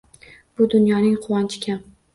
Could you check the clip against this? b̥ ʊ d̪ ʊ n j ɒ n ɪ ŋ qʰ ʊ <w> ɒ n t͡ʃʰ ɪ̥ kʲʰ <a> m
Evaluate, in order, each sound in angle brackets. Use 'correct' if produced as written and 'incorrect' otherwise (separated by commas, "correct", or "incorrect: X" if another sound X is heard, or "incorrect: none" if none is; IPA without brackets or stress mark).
correct, correct